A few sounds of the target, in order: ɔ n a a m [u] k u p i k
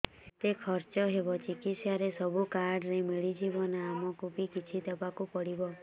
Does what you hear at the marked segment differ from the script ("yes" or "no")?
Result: yes